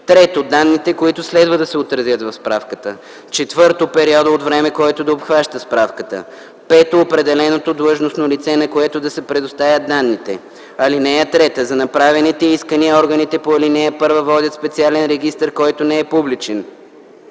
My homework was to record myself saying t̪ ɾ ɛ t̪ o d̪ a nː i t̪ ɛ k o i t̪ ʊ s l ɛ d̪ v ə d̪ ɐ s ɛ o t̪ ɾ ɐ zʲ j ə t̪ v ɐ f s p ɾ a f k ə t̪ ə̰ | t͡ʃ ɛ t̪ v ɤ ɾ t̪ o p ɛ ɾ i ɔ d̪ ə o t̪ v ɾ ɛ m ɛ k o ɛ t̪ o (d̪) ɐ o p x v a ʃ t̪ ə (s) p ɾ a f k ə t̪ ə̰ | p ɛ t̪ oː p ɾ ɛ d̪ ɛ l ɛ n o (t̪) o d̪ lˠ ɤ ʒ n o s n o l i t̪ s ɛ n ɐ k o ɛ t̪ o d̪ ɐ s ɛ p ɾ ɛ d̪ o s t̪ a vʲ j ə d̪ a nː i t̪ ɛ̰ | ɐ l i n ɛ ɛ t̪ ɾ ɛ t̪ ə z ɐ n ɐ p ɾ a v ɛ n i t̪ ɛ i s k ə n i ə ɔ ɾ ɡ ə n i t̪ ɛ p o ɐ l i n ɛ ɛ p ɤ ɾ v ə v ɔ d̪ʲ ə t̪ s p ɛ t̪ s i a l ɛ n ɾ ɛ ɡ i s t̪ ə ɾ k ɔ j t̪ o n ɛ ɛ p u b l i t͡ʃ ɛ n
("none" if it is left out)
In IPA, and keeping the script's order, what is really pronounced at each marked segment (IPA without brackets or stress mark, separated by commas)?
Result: d̪, s, t̪